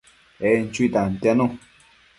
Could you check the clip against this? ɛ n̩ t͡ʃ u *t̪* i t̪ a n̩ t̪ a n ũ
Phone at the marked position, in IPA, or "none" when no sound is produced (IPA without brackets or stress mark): none